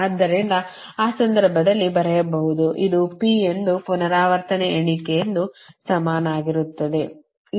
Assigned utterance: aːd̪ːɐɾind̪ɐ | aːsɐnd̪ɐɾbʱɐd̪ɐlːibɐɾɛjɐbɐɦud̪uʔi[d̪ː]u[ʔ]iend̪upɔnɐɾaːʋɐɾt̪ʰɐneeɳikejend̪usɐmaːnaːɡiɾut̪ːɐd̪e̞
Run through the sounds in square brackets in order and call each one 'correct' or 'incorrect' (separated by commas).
incorrect, incorrect